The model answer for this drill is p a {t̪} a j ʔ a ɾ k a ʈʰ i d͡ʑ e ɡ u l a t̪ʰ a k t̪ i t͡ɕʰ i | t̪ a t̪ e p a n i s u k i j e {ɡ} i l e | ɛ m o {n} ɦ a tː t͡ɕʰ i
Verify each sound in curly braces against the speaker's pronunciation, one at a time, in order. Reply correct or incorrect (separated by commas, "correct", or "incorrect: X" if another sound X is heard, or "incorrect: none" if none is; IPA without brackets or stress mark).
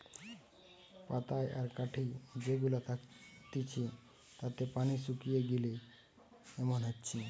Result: correct, correct, correct